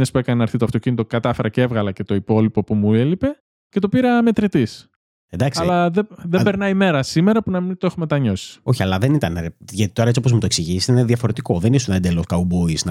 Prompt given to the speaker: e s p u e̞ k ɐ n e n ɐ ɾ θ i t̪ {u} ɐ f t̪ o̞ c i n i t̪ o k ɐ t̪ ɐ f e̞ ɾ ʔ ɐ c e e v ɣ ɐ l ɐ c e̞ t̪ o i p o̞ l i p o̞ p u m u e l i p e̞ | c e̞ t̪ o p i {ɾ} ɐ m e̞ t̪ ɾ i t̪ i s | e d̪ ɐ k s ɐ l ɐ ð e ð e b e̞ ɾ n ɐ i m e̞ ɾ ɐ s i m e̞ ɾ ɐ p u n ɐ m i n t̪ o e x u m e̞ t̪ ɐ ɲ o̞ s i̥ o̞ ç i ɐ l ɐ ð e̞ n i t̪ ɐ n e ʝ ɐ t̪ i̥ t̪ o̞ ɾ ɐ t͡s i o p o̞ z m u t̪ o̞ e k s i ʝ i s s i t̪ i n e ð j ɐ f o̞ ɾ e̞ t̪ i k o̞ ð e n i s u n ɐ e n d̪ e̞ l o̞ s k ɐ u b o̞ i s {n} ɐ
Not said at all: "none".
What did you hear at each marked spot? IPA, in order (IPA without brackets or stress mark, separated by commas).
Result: o, ɾ, n